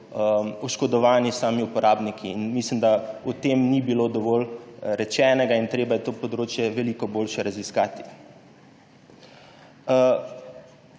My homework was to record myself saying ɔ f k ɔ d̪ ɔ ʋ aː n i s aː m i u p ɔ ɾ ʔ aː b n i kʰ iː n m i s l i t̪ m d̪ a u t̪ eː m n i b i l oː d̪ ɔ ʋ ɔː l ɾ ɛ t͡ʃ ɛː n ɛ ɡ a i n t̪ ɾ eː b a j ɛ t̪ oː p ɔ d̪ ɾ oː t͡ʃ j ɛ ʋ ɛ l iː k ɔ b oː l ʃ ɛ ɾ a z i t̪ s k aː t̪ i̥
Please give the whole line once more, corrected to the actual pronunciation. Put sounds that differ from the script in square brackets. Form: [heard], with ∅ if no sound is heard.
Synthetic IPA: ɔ [ʃ] k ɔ d̪ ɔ ʋ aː n i s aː m i u p ɔ ɾ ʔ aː b n i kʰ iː n m i s l i [∅] m d̪ a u t̪ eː m n i b i l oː d̪ ɔ ʋ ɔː l ɾ ɛ t͡ʃ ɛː n ɛ ɡ a i n t̪ ɾ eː b a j ɛ t̪ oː p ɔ d̪ ɾ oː t͡ʃ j ɛ ʋ ɛ l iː k ɔ b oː l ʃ ɛ ɾ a z i [∅] s k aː t̪ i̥

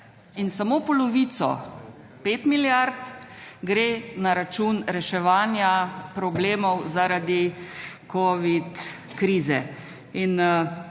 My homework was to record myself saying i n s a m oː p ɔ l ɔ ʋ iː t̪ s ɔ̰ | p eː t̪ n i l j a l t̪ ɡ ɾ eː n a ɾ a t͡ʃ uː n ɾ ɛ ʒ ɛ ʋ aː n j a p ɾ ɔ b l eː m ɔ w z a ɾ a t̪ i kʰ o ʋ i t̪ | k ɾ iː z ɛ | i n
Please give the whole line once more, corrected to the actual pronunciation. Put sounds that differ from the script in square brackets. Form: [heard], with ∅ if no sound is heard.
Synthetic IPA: i n s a m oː p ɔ l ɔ ʋ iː t̪ s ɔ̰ | p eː t̪ [m] i l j a [ɾ] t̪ ɡ ɾ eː n a ɾ a t͡ʃ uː n ɾ ɛ [ʃ] ɛ ʋ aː n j a p ɾ ɔ b l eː m ɔ w z a ɾ a [d̪] i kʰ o ʋ i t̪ | k ɾ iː z ɛ | i n

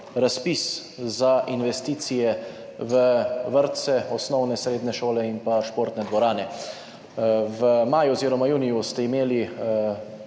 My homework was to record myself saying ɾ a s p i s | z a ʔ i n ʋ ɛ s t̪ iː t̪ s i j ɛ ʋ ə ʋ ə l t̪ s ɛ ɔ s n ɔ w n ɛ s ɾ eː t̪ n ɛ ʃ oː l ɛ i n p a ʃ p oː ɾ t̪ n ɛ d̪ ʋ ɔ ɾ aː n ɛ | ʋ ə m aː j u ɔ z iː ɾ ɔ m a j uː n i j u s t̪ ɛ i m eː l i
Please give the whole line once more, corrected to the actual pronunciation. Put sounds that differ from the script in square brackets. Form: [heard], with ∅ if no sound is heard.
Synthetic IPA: ɾ a s p i s | z a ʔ i n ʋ ɛ s t̪ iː t̪ s i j ɛ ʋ ə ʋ ə [ɾ] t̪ s ɛ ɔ s n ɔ w n ɛ s ɾ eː [d̪] n ɛ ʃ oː l ɛ i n p a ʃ p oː ɾ t̪ n ɛ d̪ ʋ ɔ ɾ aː n ɛ | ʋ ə m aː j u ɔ z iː ɾ ɔ m a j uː n i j u s t̪ ɛ i m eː l i

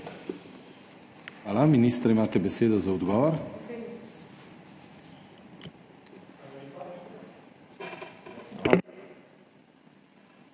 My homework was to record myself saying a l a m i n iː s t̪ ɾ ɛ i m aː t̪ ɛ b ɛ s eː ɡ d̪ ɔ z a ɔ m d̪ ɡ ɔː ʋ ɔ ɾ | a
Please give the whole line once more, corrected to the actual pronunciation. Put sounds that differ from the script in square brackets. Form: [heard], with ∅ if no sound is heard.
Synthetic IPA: a l a m i n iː s t̪ ɾ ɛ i m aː t̪ ɛ b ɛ s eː [∅] d̪ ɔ z a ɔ [∅] d̪ ɡ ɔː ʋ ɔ ɾ | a

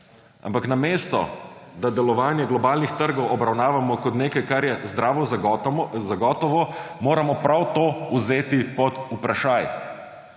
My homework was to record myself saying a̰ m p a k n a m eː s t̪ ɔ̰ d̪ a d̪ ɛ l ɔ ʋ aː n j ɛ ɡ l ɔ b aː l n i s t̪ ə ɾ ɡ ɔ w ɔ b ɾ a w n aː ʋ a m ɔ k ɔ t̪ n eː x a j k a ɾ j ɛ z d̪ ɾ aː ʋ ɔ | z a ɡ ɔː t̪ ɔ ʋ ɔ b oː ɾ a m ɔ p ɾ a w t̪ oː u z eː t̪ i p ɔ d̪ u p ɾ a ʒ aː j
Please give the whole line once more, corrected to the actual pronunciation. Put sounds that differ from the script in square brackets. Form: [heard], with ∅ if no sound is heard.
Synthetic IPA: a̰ m p a k n a m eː s t̪ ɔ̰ d̪ a d̪ ɛ l ɔ ʋ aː n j ɛ ɡ l ɔ b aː l n i [x] t̪ ə ɾ ɡ ɔ w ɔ b ɾ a w n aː ʋ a m ɔ k ɔ t̪ n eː [k] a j k a ɾ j ɛ z d̪ ɾ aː ʋ ɔ | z a ɡ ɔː t̪ ɔ ʋ ɔ [m] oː ɾ a m ɔ p ɾ a w t̪ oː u z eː t̪ i p ɔ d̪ u p ɾ a [ʃ] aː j

